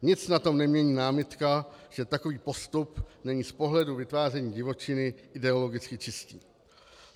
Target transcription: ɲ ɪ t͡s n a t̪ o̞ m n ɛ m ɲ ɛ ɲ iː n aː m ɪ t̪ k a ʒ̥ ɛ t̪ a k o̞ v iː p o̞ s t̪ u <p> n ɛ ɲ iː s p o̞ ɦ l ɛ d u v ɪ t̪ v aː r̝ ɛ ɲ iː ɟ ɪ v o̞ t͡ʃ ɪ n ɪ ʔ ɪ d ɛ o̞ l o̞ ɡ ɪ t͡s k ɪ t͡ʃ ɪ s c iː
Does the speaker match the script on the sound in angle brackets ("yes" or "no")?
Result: yes